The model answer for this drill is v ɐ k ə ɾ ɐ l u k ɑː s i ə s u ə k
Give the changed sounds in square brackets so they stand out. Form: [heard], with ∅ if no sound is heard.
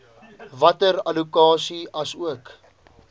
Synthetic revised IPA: v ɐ [t] ə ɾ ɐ l u k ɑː s i [ɐ] s u ə k

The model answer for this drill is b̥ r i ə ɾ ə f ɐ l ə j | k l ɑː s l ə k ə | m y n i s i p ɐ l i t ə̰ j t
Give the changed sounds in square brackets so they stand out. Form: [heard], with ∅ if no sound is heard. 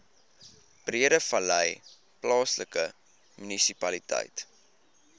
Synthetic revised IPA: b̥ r i ə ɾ ə f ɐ l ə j | [p] l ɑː s l ə k ə | m y n i s i p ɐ l i t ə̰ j t

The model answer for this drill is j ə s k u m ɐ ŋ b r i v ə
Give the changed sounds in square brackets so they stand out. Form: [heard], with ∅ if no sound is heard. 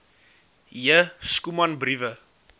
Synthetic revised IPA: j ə s k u m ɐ [n] b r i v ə

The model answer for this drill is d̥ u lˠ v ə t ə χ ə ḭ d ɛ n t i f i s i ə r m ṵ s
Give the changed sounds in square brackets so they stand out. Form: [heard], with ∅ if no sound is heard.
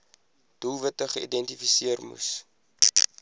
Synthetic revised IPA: d̥ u lˠ v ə t ə χ ə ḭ d ɛ n t i f i s i ə r m ṵ s

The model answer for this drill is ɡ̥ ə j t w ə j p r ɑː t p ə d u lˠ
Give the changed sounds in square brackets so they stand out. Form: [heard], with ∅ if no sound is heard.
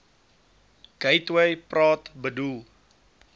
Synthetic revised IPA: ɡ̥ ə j t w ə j p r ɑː t [b] ə d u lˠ

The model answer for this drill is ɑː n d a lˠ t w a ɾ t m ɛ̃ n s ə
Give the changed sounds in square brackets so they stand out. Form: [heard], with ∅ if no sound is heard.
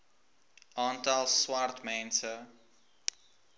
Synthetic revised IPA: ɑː n [t] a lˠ [s] w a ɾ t m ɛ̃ n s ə

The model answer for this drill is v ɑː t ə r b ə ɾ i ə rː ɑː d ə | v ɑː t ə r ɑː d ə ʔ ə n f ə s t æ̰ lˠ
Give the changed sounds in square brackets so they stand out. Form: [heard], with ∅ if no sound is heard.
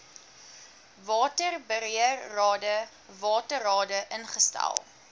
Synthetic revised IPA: v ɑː t ə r b ə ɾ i ə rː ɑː d ə | v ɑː t ə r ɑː d ə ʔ ə n [χ] ə s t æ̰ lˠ

